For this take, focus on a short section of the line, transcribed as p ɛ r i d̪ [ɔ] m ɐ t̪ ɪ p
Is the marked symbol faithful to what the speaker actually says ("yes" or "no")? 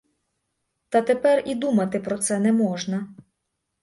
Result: no